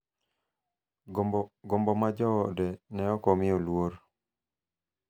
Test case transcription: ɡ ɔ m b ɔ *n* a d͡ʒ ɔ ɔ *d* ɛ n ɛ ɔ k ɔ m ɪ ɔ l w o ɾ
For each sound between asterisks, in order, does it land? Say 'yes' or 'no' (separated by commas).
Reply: no, yes